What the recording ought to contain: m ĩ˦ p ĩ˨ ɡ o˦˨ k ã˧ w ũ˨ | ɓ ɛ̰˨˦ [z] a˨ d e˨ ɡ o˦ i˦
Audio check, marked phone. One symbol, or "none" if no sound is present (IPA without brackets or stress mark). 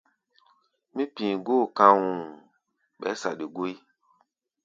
s